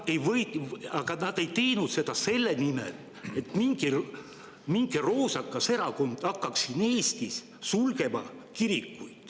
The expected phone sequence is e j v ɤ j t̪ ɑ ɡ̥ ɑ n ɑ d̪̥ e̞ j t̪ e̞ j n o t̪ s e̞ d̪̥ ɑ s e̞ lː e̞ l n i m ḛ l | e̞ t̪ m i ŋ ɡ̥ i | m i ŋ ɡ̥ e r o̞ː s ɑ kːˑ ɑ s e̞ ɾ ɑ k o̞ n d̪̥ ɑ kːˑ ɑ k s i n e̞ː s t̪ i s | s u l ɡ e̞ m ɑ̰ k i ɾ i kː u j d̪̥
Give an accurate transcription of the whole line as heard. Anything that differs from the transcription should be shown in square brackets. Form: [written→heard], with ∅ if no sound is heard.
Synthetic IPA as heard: e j v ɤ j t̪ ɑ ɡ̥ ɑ n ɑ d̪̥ e̞ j t̪ e̞ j n [o→u] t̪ s e̞ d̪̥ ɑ s e̞ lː e̞ [l→∅] n i m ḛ l | e̞ t̪ m i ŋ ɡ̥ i | m i ŋ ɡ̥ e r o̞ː s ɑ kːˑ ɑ s e̞ ɾ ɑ k o̞ n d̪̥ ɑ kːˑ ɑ k s i n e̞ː s t̪ i s | s u l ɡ e̞ m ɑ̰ k i ɾ i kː u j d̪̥